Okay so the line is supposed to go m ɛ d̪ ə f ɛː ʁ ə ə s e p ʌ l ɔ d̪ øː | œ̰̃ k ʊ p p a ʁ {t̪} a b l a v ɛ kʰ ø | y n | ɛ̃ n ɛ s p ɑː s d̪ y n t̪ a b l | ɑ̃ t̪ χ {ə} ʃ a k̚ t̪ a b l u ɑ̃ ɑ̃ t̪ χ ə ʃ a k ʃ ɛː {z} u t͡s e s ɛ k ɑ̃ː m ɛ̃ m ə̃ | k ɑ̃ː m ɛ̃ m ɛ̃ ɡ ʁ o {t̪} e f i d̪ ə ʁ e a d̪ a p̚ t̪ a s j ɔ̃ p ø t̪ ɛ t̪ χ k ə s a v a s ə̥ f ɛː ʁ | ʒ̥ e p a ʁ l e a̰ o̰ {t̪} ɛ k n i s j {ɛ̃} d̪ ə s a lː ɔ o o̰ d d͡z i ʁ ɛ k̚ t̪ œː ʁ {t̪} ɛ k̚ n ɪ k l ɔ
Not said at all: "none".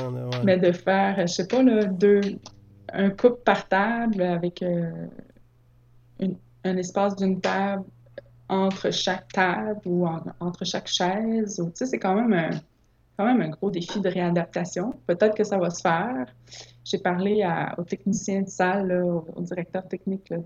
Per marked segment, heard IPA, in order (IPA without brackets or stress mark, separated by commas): t̪, ə, z, d̪, t̪, ɛ̃, t̪